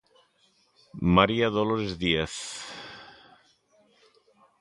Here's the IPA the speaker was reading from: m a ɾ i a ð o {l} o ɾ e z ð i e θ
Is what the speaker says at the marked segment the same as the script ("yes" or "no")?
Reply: yes